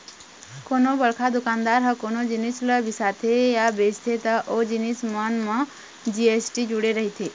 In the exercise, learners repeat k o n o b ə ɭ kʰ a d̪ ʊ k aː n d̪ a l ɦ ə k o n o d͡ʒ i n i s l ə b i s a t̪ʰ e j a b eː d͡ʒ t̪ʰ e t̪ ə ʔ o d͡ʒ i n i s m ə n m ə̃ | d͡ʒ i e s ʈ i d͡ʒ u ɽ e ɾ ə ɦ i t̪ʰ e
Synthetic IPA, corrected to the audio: k o n o b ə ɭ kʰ a d̪ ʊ k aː n d̪ a ɾ ɦ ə k o n o d͡ʒ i n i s l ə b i s a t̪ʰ e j a b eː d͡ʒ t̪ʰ e t̪ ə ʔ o d͡ʒ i n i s m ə n m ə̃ | d͡ʒ i e s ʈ i d͡ʒ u ɽ e ɾ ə ɦ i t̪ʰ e